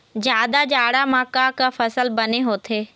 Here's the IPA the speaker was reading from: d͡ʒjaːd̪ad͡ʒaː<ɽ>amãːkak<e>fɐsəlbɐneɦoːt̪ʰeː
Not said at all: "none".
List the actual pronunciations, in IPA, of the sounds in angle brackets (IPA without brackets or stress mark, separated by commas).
ɽ, a